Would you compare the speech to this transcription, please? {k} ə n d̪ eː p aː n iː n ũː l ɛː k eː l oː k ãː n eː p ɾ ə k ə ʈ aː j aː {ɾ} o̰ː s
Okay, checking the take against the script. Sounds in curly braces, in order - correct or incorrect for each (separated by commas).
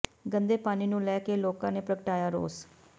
incorrect, correct